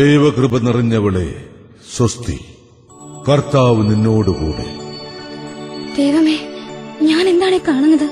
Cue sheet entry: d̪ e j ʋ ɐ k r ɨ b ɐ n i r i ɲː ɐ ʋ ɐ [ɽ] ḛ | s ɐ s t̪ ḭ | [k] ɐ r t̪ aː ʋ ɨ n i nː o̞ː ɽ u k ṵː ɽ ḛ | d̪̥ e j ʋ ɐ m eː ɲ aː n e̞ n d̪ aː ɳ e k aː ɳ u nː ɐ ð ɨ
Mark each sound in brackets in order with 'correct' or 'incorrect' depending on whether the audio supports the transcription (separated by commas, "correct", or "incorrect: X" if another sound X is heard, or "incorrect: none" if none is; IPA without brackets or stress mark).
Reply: incorrect: ɭ, correct